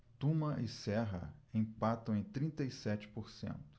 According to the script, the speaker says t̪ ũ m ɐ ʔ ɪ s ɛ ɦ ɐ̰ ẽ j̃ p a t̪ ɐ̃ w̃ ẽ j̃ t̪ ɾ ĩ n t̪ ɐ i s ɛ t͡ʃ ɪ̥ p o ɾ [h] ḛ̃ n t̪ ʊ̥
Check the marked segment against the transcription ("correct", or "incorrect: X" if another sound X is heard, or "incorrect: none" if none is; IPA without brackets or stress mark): incorrect: s